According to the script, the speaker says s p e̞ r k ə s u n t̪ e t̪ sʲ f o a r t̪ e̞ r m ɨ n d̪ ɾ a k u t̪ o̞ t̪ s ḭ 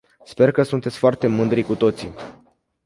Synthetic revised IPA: s p e̞ r k ə s u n t̪ e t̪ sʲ f o a r t̪ e̞ m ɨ n d̪ ɾ i k u t̪ o̞ t̪ s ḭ